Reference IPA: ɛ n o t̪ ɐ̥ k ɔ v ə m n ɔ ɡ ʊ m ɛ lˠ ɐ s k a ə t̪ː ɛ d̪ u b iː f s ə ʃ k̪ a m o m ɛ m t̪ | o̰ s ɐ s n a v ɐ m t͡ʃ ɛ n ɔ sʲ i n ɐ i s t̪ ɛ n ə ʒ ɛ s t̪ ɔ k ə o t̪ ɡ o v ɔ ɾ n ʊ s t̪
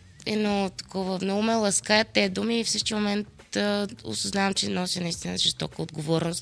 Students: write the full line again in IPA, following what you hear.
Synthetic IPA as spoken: ɛ n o t̪ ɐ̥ k ɔ v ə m n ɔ ɡ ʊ m ɛ lˠ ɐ s k a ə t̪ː ɛ d̪ u m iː f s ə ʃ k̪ i m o m ɛ n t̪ | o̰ s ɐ z n a v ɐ m t͡ʃ ɛ n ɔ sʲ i n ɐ i s t̪ i n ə ʒ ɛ s t̪ ɔ k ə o d̪ ɡ o v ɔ ɾ n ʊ s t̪